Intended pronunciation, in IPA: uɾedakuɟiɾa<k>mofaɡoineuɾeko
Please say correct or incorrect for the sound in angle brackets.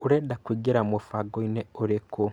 incorrect